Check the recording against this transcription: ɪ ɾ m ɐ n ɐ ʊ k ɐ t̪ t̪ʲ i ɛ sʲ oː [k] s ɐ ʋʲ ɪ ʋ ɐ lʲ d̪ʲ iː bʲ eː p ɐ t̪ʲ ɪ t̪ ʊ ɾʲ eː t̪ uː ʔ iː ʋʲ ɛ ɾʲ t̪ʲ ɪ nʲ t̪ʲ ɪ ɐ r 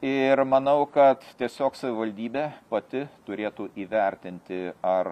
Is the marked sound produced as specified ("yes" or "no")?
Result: yes